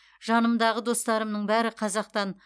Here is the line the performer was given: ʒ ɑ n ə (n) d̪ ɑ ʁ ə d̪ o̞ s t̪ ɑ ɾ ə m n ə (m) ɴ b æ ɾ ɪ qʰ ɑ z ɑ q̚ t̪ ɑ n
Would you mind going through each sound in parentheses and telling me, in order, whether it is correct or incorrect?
incorrect: m, incorrect: none

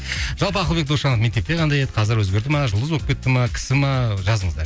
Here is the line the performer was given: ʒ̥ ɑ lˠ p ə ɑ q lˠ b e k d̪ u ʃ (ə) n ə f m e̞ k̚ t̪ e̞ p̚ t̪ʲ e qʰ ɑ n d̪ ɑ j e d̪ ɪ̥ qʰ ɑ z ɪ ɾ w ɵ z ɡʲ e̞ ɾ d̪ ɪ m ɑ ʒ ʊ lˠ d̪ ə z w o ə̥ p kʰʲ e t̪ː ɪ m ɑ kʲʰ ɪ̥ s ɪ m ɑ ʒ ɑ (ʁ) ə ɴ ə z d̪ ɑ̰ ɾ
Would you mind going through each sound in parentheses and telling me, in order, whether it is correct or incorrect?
incorrect: ɑ, incorrect: z

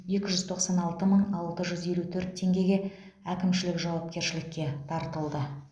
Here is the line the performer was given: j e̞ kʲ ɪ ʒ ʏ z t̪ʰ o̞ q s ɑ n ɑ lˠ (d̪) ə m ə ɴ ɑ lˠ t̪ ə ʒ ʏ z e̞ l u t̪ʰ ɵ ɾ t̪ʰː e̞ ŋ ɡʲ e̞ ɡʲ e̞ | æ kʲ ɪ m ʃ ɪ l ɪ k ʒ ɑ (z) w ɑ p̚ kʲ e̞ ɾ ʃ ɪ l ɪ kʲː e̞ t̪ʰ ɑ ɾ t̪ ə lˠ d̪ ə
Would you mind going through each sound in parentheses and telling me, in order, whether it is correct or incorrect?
incorrect: t̪, incorrect: none

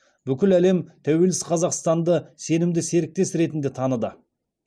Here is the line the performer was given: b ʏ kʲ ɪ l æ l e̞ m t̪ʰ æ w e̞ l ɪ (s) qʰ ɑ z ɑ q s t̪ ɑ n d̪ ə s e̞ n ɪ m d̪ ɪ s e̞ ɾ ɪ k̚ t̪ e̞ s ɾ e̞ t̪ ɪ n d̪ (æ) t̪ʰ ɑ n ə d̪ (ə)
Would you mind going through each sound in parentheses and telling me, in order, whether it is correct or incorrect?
correct, incorrect: e, correct

